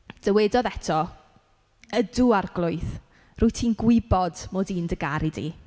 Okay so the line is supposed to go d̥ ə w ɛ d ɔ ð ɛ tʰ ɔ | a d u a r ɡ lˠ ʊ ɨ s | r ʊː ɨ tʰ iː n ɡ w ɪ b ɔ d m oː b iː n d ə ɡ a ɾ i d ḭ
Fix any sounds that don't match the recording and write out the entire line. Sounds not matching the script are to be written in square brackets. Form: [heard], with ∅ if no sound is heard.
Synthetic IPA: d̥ ə w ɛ d ɔ ð ɛ tʰ ɔ | [ə] d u a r ɡ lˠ ʊ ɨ [θ] | r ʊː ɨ tʰ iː n ɡ w ɪ b ɔ d m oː [d] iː n d ə ɡ a ɾ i d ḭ